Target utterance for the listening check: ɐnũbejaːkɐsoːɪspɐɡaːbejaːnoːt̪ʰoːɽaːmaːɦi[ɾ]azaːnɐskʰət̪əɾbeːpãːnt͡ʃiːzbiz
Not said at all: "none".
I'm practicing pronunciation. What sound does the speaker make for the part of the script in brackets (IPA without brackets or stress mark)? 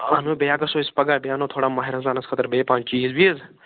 ɾ